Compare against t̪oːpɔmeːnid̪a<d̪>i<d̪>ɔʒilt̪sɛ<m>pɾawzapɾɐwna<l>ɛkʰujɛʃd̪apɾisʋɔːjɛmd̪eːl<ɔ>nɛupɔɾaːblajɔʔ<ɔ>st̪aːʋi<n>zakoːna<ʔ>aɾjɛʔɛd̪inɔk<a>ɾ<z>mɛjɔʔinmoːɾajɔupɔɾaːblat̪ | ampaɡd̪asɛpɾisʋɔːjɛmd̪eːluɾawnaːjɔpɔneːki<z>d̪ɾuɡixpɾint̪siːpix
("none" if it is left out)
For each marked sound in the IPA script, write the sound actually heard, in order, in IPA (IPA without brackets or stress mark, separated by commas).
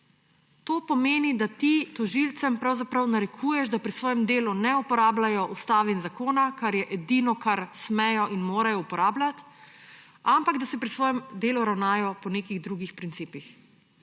t̪, t̪, m, ɾ, u, u, n, k, a, s, ɣ